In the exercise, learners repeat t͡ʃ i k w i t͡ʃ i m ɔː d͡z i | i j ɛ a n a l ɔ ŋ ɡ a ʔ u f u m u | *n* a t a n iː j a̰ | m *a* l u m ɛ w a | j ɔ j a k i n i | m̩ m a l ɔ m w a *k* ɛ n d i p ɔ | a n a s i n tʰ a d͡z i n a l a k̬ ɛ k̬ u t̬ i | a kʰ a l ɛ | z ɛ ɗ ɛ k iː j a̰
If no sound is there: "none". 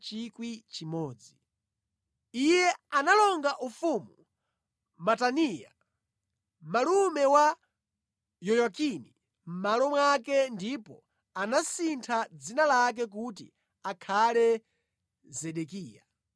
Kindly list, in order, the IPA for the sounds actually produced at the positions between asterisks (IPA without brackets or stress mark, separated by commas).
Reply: m, a, k